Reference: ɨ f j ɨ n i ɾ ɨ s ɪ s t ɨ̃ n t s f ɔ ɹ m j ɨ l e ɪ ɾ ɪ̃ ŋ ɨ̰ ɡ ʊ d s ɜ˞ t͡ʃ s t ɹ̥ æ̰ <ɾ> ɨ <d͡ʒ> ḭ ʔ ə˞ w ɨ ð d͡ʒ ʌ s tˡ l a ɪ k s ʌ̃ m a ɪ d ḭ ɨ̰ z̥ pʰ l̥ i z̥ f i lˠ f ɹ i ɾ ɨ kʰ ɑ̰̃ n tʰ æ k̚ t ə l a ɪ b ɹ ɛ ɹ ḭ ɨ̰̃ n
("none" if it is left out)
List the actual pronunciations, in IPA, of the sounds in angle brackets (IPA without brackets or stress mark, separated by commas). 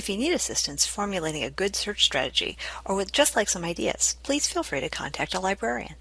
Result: ɾ, d͡ʒ